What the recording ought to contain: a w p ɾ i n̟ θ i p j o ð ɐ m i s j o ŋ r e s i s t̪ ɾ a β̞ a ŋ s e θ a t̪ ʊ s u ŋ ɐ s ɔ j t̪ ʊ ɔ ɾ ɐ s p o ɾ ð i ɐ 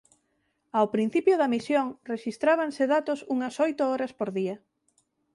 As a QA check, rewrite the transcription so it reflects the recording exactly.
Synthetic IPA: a w p ɾ i n̟ θ i p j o ð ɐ m i s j o ŋ r e ʃ i s t̪ ɾ a β̞ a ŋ s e ð a t̪ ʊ s u ŋ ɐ s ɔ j t̪ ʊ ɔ ɾ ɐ s p o ɾ ð i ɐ